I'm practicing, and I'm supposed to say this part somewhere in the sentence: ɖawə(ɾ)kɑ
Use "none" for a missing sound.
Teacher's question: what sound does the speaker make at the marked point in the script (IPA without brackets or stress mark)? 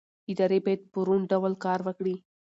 l